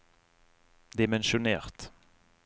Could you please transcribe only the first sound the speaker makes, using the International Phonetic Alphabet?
d̪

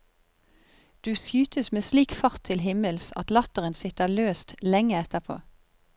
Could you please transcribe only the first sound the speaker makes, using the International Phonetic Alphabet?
d̪̥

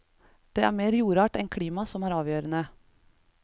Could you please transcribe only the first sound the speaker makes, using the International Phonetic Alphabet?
d̪̥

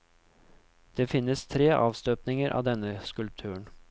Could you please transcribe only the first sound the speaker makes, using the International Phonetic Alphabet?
d̪̥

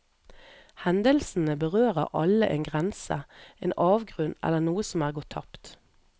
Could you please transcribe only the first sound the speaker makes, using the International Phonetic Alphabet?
h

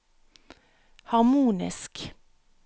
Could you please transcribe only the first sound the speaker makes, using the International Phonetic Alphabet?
h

